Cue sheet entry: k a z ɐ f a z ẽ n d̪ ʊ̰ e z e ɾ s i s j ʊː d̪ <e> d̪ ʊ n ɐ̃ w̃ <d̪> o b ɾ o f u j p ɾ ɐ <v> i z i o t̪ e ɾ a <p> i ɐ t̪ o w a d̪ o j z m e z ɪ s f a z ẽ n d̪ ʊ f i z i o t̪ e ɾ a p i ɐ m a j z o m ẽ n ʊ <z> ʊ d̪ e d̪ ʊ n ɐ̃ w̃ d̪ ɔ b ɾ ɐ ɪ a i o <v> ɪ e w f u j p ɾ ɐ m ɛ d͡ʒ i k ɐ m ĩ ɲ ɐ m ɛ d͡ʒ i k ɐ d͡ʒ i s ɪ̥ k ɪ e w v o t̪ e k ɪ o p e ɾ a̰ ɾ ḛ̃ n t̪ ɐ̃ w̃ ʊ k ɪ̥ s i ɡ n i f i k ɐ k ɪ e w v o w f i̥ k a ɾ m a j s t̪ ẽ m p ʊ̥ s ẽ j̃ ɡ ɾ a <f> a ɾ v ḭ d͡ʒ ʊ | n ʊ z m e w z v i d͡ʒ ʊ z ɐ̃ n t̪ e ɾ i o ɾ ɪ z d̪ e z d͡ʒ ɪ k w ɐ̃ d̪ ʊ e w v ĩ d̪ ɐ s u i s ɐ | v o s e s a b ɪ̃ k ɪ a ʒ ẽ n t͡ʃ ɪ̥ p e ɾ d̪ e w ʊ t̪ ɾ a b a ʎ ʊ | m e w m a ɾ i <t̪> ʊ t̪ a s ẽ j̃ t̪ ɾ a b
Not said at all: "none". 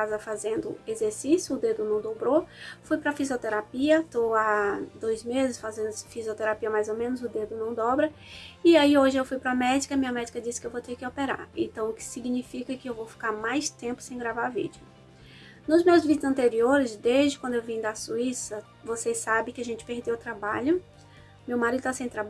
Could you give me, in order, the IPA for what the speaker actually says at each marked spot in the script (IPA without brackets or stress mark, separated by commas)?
e, d̪, f, p, z, ʒ, v, d̪